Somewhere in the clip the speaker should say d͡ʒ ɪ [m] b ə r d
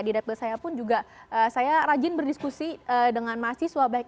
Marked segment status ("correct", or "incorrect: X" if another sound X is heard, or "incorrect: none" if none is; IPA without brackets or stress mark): incorrect: n